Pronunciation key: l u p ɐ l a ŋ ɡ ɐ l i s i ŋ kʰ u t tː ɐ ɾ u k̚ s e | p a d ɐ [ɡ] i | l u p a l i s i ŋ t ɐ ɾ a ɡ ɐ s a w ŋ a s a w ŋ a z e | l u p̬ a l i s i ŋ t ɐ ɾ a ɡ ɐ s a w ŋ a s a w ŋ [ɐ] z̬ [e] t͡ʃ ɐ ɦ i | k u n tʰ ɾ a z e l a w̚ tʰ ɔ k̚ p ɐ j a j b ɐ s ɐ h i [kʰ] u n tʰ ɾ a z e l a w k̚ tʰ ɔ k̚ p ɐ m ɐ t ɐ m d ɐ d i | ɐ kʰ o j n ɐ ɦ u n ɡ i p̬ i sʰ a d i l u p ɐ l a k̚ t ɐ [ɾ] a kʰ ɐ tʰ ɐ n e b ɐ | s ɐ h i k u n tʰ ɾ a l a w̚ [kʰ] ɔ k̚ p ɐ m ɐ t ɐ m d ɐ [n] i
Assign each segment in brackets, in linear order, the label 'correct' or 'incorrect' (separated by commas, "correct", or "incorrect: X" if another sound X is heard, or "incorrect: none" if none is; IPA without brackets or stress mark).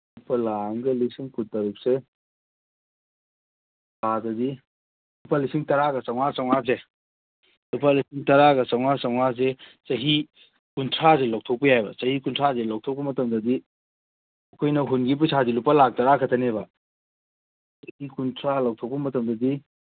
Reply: incorrect: d, incorrect: a, correct, incorrect: k, correct, incorrect: tʰ, incorrect: d